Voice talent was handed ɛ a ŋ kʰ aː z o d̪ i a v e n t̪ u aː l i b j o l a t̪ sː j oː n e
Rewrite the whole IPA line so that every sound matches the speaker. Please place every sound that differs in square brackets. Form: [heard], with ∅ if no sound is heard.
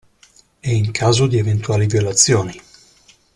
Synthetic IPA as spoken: ɛ [i] ŋ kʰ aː z o d̪ i [e] v e n t̪ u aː l i [v] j o l a t̪ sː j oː n [i]